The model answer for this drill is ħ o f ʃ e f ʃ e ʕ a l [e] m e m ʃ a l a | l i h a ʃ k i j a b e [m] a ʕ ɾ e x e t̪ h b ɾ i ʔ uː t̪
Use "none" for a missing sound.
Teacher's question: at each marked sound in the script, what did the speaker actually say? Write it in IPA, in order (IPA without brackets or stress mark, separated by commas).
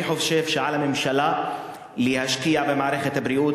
a, m